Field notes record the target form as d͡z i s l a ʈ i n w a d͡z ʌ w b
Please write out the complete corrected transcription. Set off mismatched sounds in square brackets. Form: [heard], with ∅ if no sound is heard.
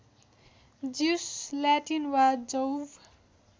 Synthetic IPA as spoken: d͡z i s l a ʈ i n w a d͡z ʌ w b